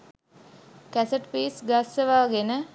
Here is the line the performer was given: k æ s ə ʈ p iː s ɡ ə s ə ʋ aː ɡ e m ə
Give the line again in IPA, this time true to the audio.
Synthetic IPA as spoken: k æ s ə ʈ p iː s ɡ a s ə ʋ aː ɡ e n ə